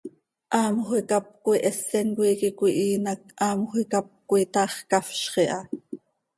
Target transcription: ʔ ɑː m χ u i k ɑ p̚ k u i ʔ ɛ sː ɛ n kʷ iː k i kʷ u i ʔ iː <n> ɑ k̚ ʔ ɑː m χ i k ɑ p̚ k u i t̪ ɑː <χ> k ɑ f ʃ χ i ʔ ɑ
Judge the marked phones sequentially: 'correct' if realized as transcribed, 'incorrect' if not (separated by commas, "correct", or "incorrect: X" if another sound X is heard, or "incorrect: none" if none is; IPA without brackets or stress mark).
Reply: correct, correct